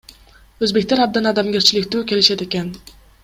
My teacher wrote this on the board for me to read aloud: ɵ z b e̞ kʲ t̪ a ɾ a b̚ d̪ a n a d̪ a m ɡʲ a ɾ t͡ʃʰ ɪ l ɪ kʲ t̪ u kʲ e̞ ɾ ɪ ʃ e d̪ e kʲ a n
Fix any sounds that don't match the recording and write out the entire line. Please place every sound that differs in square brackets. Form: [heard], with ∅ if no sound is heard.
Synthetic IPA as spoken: ɵ z b e̞ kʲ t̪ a ɾ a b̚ d̪ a n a d̪ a m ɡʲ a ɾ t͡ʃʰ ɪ l ɪ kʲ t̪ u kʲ e̞ [l] ɪ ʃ [a] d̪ e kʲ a n